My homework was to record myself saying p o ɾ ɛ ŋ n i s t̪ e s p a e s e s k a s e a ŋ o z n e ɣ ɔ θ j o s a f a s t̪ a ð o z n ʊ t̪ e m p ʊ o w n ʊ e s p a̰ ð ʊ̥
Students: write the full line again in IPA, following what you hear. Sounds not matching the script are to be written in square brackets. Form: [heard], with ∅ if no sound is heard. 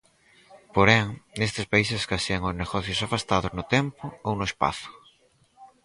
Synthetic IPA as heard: p o ɾ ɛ ŋ n [e] s t̪ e s p a [i] s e s k a s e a ŋ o z n e ɣ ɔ θ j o s a f a s t̪ a ð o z n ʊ t̪ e m p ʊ o w n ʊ e s p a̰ [θ] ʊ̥